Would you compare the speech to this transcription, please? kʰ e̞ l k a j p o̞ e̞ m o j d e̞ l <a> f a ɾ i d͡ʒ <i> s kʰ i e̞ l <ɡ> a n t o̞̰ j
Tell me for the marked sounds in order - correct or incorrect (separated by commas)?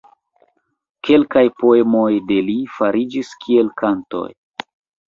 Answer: incorrect, correct, incorrect